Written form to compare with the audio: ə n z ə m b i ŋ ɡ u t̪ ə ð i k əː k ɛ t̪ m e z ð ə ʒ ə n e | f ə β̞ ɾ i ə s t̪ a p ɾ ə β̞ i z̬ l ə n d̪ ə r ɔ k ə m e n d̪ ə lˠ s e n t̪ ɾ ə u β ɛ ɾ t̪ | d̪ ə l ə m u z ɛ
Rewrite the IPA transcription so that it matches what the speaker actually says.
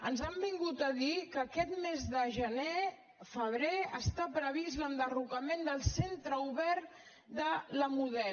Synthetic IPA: ə n z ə m b i ŋ ɡ u t̪ ə ð i k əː k ɛ t̪ m e z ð ə ʒ ə n e | f ə β̞ ɾ e ə s t̪ a p ɾ ə β̞ i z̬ l ə n d̪ ə r u k ə m e n d̪ ə lˠ s e n t̪ ɾ ə u β ɛ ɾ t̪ | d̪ ə l ə m u ð ɛ